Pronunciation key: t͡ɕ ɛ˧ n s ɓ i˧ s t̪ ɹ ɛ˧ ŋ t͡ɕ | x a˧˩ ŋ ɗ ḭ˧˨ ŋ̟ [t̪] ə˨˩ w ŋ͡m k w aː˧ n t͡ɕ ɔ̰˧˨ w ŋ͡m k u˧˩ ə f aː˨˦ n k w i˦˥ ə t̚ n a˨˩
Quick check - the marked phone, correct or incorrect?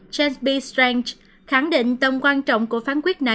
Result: correct